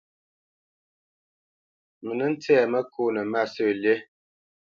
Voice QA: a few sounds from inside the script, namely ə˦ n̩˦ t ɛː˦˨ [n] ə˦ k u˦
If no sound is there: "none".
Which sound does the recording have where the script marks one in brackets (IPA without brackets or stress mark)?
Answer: m